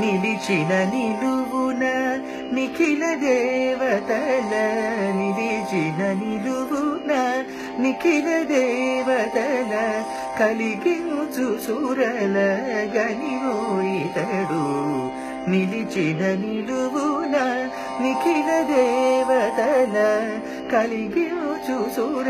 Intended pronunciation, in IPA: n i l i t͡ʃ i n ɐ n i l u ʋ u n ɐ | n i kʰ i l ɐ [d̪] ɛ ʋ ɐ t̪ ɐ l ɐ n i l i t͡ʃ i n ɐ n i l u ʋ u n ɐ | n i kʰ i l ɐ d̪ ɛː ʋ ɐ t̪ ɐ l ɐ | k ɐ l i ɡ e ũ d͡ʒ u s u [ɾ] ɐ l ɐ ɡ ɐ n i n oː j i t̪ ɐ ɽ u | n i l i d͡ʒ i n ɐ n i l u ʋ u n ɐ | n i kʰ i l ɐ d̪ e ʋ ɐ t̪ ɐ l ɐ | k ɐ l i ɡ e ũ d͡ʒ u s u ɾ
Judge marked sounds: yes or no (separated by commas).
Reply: yes, yes